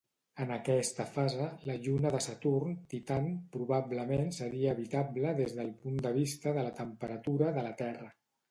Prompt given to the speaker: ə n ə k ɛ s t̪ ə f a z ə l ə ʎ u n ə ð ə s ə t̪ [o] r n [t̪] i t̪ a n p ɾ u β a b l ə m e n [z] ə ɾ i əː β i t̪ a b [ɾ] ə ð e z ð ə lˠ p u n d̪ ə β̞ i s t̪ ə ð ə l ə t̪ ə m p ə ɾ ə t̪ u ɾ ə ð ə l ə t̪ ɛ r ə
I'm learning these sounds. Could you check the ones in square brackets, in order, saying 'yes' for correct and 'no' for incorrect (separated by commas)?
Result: no, yes, no, no